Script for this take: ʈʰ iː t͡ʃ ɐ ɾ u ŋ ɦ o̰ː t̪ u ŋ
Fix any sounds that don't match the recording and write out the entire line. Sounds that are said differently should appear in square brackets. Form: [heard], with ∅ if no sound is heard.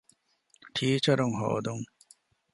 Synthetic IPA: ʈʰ iː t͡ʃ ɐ ɾ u ŋ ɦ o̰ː [d̪] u ŋ